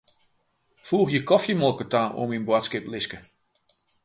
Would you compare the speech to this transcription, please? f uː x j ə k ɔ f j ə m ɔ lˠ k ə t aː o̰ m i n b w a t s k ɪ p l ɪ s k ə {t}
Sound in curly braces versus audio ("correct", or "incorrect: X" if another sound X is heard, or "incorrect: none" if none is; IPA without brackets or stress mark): incorrect: none